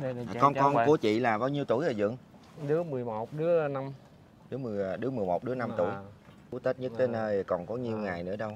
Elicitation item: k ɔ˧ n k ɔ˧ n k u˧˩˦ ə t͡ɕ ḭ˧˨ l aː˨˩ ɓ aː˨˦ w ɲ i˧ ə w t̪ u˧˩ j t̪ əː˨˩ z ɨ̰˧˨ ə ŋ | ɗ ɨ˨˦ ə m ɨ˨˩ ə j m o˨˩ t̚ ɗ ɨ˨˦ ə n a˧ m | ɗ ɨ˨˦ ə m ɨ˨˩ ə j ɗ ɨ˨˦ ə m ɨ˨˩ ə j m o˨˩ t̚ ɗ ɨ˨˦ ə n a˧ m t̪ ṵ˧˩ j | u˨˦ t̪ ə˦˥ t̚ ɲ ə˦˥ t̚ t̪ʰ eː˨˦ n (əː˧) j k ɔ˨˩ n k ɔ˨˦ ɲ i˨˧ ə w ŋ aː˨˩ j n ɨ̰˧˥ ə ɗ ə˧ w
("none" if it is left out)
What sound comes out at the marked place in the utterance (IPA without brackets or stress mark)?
əː˧